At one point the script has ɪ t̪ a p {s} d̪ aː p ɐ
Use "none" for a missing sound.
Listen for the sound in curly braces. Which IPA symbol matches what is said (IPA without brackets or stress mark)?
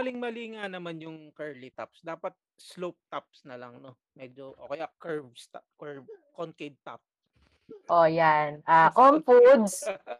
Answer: s